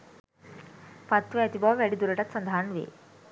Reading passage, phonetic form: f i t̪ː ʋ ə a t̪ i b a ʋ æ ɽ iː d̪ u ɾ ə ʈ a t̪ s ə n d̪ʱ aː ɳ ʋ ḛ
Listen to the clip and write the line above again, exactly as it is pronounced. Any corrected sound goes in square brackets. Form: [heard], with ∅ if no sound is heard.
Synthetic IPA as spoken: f [a] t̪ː ʋ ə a t̪ i b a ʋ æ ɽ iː d̪ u ɾ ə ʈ a t̪ s ə n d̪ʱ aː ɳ ʋ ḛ